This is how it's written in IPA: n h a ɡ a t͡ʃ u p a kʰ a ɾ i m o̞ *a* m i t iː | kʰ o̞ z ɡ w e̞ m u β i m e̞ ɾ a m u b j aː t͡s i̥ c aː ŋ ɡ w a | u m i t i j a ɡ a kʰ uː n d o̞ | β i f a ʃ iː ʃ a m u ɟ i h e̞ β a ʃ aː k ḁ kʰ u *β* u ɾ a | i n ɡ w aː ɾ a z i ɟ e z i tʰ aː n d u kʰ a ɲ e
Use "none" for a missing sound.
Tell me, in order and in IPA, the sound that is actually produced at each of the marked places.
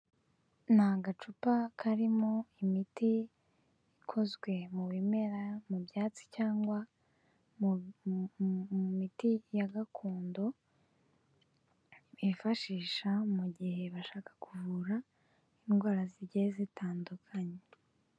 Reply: i, v

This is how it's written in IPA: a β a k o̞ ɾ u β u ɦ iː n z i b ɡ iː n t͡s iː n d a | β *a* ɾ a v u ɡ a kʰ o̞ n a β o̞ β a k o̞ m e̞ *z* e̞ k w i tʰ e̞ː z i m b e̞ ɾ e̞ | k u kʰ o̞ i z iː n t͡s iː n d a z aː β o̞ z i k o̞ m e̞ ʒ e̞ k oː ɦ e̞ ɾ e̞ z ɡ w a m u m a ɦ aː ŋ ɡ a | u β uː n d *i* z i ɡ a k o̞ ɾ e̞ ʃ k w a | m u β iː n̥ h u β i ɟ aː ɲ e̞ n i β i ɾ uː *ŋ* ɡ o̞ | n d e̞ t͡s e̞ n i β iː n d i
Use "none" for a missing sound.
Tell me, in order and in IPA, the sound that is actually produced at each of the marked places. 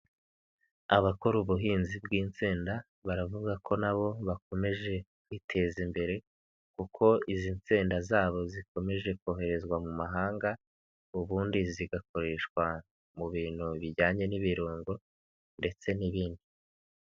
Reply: a, ʒ, i, ŋ

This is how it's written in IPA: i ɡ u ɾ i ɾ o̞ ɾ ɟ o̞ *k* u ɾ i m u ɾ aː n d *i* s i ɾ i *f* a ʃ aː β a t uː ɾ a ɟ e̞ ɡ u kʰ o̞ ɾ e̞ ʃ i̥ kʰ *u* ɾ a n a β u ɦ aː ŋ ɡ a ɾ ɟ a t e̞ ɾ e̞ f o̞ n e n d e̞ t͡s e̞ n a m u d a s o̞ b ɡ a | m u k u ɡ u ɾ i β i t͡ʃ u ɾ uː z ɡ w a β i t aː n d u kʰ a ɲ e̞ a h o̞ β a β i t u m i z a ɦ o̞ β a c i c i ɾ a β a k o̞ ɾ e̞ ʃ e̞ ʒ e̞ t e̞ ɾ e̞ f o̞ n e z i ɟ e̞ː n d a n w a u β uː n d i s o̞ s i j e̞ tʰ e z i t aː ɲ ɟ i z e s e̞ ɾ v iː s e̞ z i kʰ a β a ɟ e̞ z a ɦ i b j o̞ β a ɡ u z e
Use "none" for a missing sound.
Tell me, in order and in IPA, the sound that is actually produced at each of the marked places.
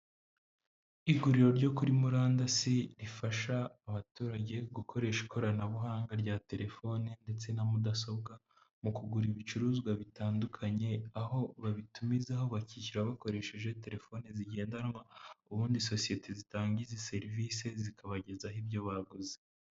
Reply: k, a, f, o

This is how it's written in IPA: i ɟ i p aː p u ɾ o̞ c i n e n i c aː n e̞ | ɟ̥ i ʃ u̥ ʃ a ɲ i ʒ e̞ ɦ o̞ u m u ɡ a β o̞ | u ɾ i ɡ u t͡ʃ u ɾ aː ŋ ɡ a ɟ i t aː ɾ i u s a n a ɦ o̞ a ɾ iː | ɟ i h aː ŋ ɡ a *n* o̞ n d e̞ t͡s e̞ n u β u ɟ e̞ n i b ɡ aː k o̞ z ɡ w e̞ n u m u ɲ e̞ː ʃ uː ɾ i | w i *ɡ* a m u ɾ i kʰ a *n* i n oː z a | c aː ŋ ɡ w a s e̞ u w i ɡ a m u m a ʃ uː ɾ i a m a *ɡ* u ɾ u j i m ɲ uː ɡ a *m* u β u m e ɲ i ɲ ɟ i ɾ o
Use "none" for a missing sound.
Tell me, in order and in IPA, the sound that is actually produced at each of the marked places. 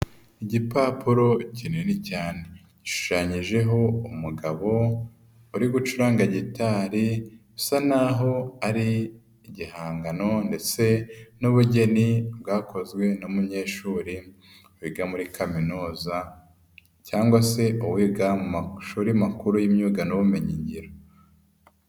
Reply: n, ɡ, m, k, n

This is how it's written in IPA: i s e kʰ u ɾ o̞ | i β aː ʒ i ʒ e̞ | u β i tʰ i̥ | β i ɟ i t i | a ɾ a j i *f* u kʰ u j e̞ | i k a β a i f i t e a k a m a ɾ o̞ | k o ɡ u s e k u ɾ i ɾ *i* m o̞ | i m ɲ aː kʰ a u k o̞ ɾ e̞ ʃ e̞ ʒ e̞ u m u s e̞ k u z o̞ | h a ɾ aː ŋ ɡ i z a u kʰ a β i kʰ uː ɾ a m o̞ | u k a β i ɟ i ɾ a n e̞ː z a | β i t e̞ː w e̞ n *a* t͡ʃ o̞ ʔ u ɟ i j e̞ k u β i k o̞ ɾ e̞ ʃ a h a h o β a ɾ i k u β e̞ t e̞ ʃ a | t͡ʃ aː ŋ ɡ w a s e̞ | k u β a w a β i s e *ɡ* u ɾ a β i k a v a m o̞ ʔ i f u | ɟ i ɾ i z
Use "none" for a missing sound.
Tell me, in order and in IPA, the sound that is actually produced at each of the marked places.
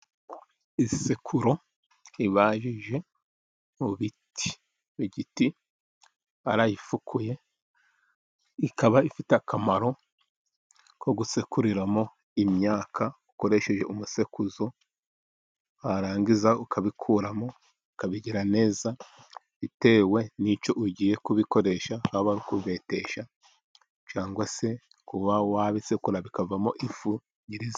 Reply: f, a, i, k

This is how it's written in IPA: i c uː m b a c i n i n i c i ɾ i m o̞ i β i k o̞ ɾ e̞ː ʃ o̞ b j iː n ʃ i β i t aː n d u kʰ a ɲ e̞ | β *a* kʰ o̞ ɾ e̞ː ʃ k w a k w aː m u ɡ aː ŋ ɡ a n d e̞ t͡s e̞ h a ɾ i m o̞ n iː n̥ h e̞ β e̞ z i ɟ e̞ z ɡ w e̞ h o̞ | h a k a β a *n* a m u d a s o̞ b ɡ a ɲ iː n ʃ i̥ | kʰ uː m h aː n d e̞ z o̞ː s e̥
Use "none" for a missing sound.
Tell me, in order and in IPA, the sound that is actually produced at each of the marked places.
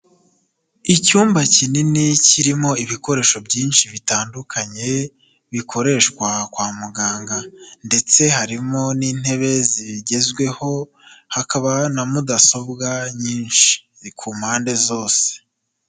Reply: i, n

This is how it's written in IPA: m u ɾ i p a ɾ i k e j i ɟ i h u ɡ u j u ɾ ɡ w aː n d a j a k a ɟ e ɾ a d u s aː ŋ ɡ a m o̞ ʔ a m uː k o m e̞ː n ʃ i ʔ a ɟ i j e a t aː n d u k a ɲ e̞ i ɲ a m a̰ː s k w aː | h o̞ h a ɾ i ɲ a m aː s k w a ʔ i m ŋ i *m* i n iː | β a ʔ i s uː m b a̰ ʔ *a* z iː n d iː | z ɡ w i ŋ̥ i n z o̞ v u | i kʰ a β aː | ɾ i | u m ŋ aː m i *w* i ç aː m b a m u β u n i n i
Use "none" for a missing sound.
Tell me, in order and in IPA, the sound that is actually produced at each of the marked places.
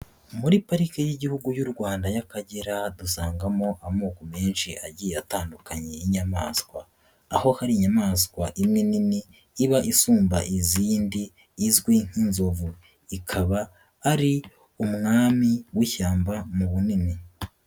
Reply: n, i, w

